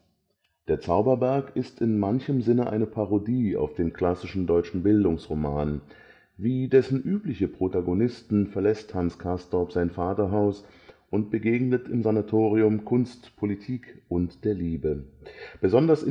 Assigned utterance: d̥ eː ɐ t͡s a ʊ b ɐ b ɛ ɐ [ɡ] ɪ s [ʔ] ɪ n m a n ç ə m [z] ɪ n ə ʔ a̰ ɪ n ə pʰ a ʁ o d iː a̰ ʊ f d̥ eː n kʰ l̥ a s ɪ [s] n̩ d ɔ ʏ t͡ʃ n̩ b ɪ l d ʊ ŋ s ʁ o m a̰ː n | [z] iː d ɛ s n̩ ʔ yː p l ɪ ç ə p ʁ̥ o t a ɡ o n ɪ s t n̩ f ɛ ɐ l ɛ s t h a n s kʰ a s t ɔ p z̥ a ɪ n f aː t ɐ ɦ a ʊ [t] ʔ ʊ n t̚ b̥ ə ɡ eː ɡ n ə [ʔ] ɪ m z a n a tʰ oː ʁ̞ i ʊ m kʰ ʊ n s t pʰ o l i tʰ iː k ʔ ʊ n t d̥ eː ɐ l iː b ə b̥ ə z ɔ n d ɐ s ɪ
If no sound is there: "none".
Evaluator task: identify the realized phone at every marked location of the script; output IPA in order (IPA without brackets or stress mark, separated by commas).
k, t, z, ʃ, v, s, t